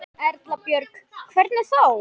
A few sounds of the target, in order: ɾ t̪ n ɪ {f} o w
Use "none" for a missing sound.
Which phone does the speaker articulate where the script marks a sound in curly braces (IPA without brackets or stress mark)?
θ